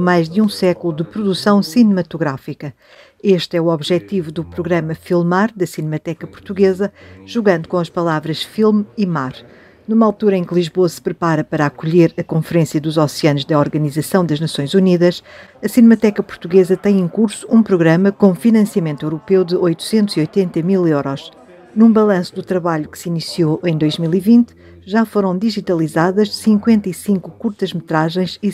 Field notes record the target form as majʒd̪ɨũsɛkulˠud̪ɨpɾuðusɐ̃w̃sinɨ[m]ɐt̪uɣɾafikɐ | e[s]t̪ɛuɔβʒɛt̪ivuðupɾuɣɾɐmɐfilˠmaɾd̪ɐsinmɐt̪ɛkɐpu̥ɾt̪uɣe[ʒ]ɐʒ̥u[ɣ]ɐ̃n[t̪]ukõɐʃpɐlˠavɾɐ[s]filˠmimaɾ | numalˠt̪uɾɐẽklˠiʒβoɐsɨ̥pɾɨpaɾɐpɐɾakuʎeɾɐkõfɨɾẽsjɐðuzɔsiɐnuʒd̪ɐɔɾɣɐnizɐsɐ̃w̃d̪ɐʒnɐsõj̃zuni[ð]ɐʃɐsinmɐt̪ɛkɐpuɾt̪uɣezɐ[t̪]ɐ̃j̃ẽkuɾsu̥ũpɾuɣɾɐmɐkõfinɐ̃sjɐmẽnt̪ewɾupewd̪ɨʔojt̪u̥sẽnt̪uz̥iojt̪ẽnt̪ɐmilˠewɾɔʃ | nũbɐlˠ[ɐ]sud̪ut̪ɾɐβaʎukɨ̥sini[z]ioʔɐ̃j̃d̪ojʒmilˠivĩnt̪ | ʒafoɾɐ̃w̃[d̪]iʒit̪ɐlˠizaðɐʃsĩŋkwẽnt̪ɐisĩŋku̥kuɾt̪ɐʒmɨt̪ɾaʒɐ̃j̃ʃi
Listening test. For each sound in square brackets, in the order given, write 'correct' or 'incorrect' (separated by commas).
correct, incorrect, incorrect, correct, incorrect, incorrect, correct, correct, incorrect, incorrect, correct